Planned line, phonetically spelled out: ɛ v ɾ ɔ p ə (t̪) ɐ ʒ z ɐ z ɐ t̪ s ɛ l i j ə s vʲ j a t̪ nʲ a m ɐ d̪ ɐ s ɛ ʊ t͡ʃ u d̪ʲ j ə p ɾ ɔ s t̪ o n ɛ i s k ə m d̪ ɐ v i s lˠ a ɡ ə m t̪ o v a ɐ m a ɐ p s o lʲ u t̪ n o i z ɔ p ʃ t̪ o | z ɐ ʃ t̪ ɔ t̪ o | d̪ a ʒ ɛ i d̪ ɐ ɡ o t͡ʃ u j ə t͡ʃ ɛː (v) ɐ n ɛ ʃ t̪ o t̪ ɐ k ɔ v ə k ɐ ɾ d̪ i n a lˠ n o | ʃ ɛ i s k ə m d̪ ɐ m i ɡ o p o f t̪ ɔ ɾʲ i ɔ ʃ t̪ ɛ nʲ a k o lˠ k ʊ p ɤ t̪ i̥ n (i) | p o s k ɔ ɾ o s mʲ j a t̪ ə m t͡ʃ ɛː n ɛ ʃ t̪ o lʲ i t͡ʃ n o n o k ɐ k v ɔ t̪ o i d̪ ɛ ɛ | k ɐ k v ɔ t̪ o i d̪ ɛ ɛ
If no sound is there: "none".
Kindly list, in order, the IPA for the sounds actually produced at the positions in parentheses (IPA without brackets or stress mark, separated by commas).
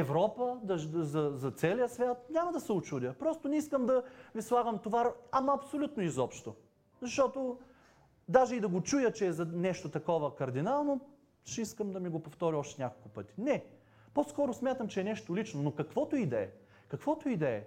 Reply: d̪, z, ɛ